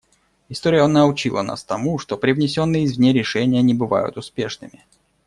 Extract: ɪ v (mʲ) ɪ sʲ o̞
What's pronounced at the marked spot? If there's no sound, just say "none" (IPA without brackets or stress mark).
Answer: nʲ